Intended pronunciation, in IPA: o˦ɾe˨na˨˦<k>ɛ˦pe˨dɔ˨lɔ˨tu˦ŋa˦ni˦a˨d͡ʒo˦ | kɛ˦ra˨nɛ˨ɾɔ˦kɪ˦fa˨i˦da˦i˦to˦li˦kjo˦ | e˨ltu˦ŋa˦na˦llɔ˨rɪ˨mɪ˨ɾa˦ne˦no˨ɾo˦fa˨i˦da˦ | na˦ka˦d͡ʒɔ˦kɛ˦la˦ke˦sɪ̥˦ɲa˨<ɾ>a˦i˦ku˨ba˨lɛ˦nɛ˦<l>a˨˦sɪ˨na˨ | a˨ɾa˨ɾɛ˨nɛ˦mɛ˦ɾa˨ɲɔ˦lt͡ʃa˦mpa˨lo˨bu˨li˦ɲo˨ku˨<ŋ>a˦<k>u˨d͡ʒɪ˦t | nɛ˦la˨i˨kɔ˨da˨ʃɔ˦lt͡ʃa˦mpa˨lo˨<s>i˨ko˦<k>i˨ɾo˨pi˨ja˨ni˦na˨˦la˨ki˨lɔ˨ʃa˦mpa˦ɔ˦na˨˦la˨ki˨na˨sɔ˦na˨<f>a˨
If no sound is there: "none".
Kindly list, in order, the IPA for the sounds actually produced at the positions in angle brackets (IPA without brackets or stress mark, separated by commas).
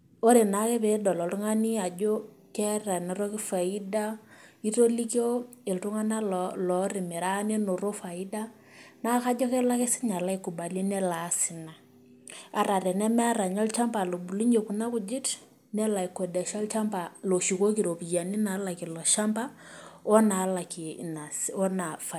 k, l, l, n, k, ʃ, k, f